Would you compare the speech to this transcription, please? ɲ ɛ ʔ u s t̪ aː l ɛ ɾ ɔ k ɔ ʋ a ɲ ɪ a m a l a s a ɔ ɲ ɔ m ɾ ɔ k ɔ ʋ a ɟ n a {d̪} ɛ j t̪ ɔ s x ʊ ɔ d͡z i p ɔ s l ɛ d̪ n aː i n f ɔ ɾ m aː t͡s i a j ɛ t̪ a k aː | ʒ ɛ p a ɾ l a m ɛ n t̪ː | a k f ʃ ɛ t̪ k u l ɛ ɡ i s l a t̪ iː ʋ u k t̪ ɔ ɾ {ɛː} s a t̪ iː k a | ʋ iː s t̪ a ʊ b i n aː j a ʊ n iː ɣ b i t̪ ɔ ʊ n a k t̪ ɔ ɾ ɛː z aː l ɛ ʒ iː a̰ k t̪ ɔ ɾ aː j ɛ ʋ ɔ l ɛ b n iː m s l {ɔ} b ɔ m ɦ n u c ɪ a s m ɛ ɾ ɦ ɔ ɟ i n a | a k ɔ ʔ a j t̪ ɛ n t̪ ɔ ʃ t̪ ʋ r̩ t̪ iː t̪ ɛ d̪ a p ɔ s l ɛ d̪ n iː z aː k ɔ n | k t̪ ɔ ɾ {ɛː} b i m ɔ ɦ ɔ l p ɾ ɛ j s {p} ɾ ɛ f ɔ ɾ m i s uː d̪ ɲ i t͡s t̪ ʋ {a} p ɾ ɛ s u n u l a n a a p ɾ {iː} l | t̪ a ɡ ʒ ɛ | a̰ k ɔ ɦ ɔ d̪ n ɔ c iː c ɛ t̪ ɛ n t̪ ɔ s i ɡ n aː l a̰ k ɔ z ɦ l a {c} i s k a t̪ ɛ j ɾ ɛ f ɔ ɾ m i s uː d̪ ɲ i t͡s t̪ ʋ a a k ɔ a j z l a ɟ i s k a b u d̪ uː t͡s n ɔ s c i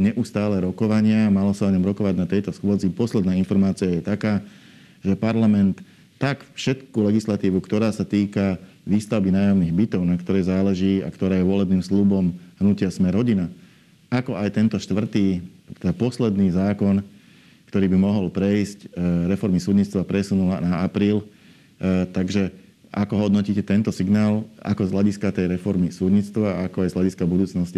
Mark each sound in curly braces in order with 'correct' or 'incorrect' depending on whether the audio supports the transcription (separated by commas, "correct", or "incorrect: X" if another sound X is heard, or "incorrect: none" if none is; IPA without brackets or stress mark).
incorrect: t̪, incorrect: aː, incorrect: u, incorrect: iː, incorrect: c, correct, correct, incorrect: ɟ